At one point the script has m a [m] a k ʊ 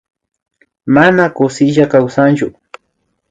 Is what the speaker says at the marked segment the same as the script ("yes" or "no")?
no